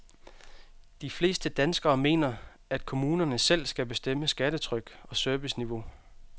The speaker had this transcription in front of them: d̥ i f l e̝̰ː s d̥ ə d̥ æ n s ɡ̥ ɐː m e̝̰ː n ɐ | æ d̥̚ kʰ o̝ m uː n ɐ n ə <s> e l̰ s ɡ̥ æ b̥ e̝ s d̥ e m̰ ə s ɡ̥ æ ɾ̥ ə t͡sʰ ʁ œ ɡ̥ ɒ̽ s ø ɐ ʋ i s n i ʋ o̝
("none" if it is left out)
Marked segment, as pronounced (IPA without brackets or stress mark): s